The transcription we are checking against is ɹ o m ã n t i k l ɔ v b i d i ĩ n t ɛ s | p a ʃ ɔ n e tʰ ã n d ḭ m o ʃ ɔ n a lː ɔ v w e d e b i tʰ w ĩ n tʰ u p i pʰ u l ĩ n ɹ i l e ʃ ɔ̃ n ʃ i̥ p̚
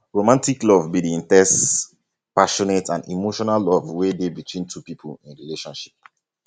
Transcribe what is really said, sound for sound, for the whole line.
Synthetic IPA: ɹ o m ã n t i k l ɔ v b i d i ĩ n t ɛ s | p a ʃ ɔ n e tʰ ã n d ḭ m o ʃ ɔ n a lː ɔ v w e d e b i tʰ w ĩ n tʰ u p i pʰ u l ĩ n ɹ i l e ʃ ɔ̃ n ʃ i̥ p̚